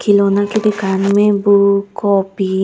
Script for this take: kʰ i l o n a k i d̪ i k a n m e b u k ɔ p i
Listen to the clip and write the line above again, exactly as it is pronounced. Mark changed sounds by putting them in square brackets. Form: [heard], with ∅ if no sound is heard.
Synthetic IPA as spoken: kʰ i l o n a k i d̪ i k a n m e b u k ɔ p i